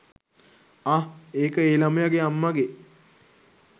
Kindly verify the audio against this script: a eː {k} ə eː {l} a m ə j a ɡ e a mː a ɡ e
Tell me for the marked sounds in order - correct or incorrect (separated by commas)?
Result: correct, correct